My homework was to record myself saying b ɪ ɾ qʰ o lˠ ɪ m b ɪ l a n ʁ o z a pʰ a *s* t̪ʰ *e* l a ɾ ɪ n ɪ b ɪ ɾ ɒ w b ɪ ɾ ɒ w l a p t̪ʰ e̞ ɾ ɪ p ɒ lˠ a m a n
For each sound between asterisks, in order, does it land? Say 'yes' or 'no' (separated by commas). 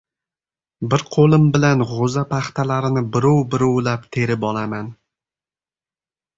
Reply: no, no